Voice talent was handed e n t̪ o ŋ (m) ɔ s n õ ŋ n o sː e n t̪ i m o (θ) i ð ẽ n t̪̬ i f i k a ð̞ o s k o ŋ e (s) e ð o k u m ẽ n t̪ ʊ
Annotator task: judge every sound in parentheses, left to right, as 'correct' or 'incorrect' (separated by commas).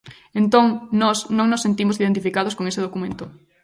incorrect, incorrect, correct